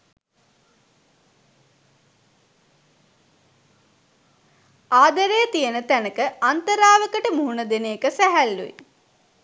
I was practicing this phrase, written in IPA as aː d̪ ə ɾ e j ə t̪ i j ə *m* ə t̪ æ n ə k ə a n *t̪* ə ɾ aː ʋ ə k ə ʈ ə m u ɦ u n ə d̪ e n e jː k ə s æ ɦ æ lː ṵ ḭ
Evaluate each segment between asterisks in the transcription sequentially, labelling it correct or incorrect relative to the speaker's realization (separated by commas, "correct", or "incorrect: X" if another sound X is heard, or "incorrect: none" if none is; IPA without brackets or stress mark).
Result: incorrect: n, correct